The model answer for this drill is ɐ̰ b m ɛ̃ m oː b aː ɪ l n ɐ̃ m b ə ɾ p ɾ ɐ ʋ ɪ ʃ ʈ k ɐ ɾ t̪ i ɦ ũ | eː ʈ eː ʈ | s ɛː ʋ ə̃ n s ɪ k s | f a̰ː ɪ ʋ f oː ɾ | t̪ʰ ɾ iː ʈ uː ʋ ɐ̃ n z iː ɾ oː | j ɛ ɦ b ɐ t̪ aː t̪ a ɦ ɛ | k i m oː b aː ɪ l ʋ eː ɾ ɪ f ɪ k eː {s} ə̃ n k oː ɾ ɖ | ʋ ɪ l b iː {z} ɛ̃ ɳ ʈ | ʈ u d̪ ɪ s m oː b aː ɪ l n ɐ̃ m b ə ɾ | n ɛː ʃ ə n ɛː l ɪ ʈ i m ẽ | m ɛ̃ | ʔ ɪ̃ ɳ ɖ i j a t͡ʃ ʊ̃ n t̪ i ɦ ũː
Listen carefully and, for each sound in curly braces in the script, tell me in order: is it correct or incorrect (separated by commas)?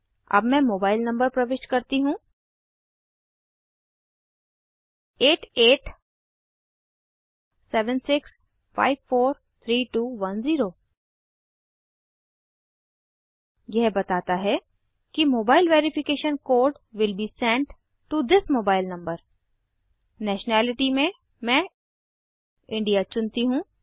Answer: incorrect, incorrect